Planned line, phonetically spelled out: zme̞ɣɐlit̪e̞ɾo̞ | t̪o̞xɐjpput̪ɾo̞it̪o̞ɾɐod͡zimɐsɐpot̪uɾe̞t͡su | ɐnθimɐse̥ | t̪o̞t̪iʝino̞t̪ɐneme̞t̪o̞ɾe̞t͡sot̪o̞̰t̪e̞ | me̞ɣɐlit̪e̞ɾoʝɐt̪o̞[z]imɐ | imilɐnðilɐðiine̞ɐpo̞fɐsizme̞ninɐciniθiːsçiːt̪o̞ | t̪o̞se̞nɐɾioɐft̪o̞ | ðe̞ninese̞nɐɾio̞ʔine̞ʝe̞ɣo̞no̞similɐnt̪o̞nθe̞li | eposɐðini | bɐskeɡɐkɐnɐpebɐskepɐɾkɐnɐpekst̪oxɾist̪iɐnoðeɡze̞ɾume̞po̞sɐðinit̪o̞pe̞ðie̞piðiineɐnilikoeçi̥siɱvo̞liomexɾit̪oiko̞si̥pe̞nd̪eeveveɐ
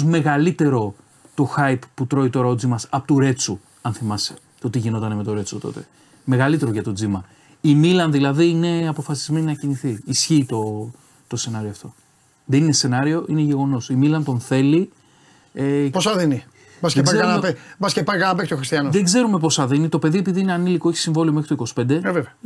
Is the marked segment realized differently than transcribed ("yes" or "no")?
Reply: yes